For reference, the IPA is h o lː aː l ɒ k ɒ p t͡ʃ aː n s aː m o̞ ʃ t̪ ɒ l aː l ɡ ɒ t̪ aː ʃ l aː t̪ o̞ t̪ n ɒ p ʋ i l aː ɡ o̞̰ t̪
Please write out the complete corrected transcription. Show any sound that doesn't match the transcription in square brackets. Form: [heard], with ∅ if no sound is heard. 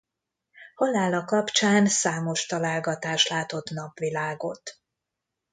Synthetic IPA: h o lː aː l ɒ k ɒ p t͡ʃ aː n s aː m o̞ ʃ t̪ ɒ l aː l ɡ ɒ t̪ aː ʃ l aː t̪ o̞ t̪ n ɒ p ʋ i l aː ɡ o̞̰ t̪